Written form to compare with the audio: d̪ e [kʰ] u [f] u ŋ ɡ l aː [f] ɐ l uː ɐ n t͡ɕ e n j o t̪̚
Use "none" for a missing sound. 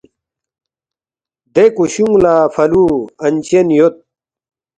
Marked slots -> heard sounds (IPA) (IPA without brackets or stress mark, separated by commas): k, ɕ, f